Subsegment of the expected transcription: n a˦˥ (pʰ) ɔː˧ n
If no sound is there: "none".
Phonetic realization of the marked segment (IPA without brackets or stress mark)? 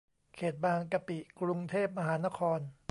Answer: kʰ